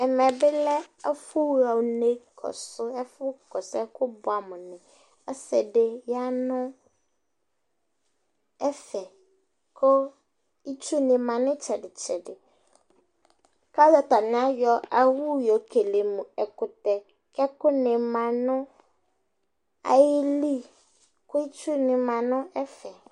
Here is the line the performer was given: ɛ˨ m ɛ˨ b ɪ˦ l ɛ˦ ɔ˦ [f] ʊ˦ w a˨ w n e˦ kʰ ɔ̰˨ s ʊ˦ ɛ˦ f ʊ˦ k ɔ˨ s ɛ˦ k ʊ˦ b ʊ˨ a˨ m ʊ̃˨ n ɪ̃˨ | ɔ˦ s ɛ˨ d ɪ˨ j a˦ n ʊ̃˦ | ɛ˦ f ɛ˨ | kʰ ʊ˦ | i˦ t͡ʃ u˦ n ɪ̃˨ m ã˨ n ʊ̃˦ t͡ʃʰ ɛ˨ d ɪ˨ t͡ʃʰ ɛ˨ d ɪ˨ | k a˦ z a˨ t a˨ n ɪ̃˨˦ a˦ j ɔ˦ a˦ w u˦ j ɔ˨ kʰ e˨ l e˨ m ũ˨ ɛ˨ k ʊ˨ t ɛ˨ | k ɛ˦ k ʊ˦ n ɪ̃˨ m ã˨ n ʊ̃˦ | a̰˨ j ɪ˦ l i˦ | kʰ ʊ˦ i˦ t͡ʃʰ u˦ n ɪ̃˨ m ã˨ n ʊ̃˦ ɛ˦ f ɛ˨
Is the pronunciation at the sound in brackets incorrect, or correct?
correct